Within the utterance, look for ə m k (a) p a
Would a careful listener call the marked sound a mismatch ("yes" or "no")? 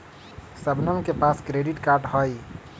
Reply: yes